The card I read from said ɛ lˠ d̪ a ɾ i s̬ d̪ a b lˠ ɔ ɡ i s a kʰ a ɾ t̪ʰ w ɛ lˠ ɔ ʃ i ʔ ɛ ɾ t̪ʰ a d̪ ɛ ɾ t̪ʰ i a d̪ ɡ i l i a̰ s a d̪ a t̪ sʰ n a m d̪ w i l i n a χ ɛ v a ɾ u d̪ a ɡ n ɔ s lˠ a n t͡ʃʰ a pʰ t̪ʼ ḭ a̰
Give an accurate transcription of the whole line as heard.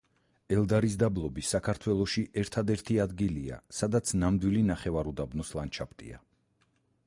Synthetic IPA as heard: ɛ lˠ d̪ a ɾ i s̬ d̪ a b lˠ ɔ b i s a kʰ a ɾ t̪ʰ w ɛ lˠ ɔ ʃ i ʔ ɛ ɾ t̪ʰ a d̪ ɛ ɾ t̪ʰ i a d̪ ɡ i l i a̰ s a d̪ a t̪ sʰ n a m d̪ w i l i n a χ ɛ v a ɾ u d̪ a b n ɔ s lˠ a n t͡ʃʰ a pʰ t̪ʼ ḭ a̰